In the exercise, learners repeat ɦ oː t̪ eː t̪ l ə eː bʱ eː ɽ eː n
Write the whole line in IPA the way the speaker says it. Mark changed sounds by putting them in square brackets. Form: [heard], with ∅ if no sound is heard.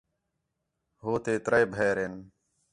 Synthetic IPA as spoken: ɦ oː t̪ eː t̪ [ɾ] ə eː bʱ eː [ɾ] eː n